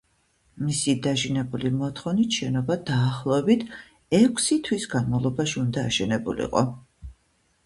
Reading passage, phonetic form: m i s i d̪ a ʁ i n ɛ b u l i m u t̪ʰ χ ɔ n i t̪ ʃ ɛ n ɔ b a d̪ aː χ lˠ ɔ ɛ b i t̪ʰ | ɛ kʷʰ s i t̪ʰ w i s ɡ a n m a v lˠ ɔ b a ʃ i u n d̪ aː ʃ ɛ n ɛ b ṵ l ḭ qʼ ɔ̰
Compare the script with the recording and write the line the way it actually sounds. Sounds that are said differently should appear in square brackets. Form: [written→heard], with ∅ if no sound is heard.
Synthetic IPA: m i s i d̪ a [ʁ→ʒ] i n ɛ b u l i m [u→ɔ] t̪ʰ χ ɔ n i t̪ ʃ ɛ n ɔ b a d̪ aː χ lˠ ɔ ɛ b i t̪ʰ | ɛ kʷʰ s i t̪ʰ w i s ɡ a n m a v lˠ ɔ b a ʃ i u n d̪ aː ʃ ɛ n ɛ b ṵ l ḭ qʼ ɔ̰